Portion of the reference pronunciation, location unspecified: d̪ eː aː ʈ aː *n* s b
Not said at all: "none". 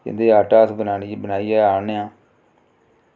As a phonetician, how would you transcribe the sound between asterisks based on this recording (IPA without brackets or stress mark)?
none